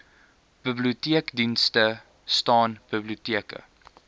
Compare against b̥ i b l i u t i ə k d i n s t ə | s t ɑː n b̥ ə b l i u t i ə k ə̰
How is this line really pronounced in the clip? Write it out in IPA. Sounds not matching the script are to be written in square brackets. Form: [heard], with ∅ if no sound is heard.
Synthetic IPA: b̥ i b l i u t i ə k d i n s t ə | s t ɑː n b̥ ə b l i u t i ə k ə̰